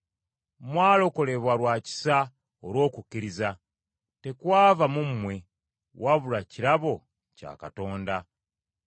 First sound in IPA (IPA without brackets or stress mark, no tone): m